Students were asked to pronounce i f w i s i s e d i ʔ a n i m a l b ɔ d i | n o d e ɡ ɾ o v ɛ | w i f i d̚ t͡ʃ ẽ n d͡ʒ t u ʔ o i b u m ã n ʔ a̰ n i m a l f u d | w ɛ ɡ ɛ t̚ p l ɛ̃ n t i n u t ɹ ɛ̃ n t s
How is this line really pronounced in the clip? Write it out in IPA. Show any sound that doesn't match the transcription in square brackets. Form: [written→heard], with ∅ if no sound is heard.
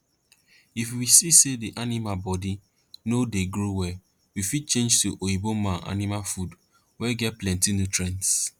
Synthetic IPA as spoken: i f w i s i s e d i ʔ a n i m a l b ɔ d i | n o d e ɡ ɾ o [v→w] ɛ | w i f i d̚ t͡ʃ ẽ n d͡ʒ t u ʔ o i b [u→o] m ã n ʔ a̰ n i m a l f u d | w ɛ ɡ ɛ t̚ p l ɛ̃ n t i n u t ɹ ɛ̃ n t s